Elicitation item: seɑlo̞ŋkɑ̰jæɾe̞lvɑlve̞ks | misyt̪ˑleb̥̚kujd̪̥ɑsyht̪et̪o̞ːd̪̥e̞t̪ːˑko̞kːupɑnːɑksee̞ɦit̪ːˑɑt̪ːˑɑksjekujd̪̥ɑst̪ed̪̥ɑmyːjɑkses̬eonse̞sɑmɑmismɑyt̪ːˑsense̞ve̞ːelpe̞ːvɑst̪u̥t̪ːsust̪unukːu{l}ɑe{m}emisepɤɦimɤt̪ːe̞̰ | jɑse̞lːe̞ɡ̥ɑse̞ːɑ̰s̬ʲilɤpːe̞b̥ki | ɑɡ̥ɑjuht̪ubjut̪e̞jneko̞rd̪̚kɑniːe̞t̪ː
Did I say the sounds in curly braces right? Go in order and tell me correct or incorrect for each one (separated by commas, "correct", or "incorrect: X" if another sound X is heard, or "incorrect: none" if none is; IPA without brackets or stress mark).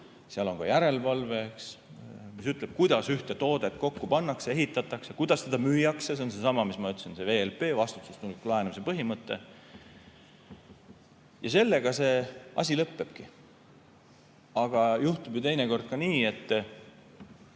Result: correct, incorrect: n